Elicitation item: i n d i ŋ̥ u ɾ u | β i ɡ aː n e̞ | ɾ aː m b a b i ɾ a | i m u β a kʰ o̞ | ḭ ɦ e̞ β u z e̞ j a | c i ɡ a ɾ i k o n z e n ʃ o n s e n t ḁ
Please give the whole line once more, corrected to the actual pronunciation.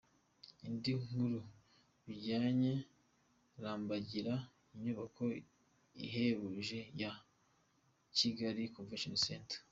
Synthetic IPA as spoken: i n d i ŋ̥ u ɾ u | β i ɟ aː ɲ e̞ | ɾ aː m b a ɟ i ɾ a | i ɲ u β a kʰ o̞ | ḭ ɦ e̞ β u ʒ e̞ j a | c i ɡ a ɾ i k o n v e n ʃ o n s e n t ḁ